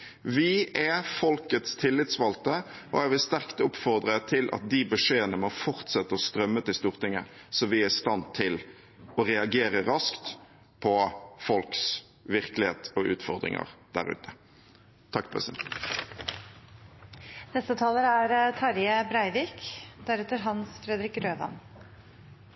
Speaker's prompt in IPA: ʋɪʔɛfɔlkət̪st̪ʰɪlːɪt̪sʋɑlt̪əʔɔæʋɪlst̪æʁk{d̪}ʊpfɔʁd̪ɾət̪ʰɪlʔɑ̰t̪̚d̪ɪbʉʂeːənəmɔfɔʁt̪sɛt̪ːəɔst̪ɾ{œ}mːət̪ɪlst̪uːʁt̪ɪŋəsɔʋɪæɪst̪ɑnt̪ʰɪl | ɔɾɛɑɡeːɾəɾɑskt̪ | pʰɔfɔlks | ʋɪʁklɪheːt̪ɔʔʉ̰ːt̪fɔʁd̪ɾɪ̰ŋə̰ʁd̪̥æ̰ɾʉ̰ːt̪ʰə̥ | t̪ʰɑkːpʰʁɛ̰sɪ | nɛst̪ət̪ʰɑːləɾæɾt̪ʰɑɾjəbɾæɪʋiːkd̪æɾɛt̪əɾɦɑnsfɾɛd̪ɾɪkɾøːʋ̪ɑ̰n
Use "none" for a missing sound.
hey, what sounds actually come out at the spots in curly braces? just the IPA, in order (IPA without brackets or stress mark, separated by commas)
t̪, œ